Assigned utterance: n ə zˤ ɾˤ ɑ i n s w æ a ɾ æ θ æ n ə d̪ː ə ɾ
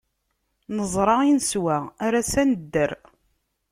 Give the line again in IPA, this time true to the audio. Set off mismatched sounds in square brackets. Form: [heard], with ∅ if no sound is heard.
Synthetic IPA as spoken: n ə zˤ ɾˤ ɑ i n s w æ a ɾ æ [s] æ n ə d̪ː ə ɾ

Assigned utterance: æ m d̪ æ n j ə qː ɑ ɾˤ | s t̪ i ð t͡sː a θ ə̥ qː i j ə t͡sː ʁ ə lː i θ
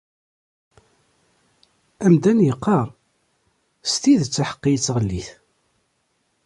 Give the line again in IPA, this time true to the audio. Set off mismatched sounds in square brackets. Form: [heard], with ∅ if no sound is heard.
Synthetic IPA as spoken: æ m d̪ æ n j ə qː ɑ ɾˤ | s t̪ i ð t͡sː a [ħ] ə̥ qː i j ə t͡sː ʁ ə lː i θ

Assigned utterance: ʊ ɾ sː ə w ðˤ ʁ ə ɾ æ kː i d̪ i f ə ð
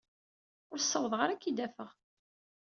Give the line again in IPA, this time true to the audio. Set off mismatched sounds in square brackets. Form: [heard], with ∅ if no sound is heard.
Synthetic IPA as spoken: ʊ ɾ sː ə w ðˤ ʁ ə ɾ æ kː i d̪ [æ] f ə [ʁ]

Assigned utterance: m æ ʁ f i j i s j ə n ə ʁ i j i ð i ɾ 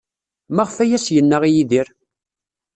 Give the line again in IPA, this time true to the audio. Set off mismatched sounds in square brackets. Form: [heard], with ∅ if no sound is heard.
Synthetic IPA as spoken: m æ ʁ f [æ] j [æ] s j ə [nː] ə ʁ i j i ð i ɾ

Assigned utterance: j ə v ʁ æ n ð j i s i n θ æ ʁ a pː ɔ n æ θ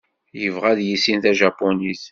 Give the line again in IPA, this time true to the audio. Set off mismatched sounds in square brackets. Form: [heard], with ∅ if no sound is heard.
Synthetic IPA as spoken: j ə v ʁ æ [∅] ð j i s i n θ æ [ʒ] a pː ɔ n [i] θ

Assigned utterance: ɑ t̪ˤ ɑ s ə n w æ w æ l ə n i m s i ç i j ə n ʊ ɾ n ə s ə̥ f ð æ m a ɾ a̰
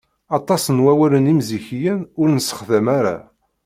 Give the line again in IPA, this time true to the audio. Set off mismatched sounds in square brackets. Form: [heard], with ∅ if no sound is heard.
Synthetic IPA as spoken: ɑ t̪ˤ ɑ s ə n w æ w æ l ə n i m [z] i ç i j ə n ʊ ɾ n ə s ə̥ [χ] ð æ m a ɾ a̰

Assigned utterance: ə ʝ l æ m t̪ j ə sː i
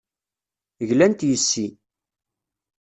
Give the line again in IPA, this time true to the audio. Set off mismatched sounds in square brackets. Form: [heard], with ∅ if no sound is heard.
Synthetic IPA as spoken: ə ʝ l æ [n] t̪ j ə sː i

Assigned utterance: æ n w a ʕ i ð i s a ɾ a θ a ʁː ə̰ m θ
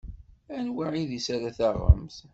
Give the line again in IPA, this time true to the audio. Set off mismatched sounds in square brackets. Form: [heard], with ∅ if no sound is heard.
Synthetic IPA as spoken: æ n w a ʕ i ð i s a ɾ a θ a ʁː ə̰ m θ

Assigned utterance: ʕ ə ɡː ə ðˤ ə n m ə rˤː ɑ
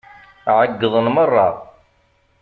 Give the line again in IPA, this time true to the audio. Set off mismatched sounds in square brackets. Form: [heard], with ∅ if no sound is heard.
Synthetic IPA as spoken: ʕ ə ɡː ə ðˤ ə n m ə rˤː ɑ

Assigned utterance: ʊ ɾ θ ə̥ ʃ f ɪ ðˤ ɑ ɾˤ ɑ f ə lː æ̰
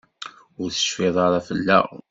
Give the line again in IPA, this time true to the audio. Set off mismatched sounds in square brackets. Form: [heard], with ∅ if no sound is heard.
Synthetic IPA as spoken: ʊ ɾ θ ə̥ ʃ f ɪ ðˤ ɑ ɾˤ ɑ f ə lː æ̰

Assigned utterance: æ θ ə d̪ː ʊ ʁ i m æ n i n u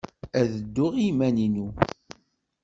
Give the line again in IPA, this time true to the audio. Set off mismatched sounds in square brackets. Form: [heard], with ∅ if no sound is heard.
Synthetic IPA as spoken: æ [ð] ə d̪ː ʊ ʁ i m æ n i n u

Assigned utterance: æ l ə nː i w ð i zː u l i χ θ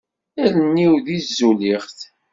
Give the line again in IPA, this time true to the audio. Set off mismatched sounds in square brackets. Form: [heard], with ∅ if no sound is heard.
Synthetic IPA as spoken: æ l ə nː i w ð i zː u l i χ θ

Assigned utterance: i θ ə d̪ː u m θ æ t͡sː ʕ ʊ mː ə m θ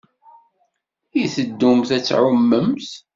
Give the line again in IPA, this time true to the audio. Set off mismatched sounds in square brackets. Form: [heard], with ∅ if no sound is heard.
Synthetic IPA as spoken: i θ ə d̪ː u m θ æ t͡sː ʕ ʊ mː ə m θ

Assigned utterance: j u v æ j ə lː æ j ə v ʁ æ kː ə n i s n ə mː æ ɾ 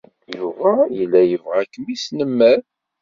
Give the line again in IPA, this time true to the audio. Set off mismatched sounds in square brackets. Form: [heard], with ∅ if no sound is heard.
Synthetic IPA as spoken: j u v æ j ə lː æ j ə v ʁ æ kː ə [m] i s n ə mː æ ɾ

